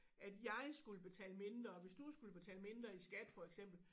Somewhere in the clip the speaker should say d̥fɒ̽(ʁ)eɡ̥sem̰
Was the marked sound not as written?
yes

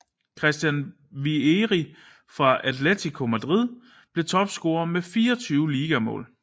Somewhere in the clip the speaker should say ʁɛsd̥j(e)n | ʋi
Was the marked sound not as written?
yes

